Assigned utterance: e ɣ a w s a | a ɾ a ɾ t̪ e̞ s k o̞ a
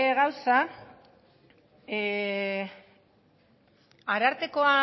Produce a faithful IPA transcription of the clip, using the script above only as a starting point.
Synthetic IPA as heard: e ɣ a w s a | a ɾ a ɾ t̪ e̞ k o̞ a